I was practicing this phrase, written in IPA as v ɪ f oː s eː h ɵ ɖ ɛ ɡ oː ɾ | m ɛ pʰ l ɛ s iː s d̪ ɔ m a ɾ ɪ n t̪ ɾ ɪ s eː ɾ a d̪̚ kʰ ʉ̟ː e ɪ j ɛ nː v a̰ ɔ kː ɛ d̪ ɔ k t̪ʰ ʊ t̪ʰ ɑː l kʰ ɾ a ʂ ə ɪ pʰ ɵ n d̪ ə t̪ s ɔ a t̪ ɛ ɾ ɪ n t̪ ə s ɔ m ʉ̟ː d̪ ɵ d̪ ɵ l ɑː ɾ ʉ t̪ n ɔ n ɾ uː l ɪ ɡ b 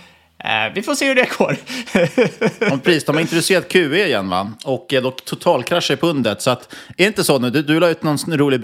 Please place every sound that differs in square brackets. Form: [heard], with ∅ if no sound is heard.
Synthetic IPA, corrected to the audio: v ɪ f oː s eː h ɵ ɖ ɛ ɡ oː ɾ | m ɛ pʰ [ɾ] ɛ s iː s d̪ ɔ m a ɾ ɪ n t̪ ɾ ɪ s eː ɾ a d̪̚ kʰ ʉ̟ː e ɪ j ɛ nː v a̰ ɔ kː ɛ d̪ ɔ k t̪ʰ ʊ t̪ʰ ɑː l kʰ ɾ a ʂ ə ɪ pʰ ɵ n d̪ ə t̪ s ɔ a t̪ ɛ ɾ ɪ n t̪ ə s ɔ [n] ʉ̟ː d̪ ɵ d̪ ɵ l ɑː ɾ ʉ t̪ n ɔ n ɾ uː l ɪ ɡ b